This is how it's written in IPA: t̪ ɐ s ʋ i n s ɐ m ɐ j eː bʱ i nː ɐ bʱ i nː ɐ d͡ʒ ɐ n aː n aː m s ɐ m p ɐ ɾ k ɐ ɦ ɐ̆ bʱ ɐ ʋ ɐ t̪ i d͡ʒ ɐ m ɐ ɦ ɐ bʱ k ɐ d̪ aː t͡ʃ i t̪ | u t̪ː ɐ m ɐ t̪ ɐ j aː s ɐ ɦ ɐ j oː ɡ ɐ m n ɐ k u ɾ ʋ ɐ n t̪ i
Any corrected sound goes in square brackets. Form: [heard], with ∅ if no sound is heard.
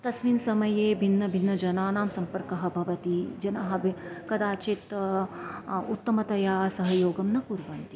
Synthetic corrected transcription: t̪ ɐ s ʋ i n s ɐ m ɐ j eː bʱ i nː ɐ bʱ i nː ɐ d͡ʒ ɐ n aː n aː m s ɐ m p ɐ ɾ k ɐ ɦ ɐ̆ bʱ ɐ ʋ ɐ t̪ i d͡ʒ ɐ [n] ɐ ɦ ɐ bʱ k ɐ d̪ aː t͡ʃ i t̪ | u t̪ː ɐ m ɐ t̪ ɐ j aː s ɐ ɦ ɐ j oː ɡ ɐ m n ɐ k u ɾ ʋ ɐ n t̪ i